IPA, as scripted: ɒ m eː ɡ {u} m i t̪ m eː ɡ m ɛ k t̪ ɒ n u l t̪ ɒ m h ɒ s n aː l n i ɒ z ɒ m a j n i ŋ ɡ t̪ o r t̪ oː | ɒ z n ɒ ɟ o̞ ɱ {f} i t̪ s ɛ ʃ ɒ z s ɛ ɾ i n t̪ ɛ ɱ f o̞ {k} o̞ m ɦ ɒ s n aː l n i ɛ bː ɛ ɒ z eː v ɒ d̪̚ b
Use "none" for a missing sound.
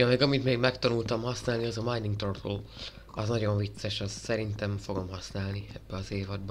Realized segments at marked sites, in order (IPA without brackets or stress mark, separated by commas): ɒ, v, ɡ